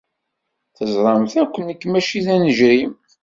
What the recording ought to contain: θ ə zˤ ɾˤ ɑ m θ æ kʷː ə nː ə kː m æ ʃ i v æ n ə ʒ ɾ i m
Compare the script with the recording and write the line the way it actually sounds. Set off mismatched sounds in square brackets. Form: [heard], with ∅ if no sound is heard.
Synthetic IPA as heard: θ ə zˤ ɾˤ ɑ m θ æ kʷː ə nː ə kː m æ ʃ i [ð] æ n ə ʒ ɾ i m